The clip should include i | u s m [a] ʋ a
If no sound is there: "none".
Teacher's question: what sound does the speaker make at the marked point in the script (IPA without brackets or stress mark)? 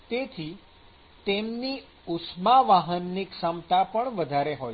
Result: a